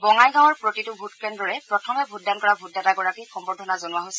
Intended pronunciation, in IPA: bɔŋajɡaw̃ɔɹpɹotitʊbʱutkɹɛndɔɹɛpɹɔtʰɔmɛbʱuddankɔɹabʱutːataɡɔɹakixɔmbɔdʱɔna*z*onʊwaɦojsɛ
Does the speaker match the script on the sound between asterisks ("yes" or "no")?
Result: yes